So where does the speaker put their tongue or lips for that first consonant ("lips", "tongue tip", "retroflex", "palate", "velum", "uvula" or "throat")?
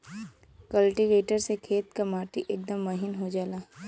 velum